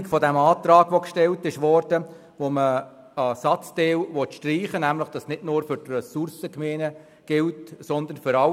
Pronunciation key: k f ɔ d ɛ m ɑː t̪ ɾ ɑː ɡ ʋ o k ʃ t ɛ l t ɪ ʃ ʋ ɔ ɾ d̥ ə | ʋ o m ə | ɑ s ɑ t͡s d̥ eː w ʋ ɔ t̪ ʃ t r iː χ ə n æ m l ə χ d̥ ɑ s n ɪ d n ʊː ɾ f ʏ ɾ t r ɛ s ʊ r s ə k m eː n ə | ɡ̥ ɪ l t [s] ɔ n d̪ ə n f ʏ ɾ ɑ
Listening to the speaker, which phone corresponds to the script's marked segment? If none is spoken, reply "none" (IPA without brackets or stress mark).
s